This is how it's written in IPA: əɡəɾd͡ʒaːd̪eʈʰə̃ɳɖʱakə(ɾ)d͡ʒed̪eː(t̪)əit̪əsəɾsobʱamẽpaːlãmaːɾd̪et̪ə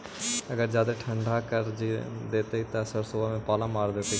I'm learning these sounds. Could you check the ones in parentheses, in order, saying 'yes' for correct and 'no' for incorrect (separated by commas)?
yes, yes